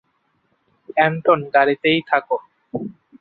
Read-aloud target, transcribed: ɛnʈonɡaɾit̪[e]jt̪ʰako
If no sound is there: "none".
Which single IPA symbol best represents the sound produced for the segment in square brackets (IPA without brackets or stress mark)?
e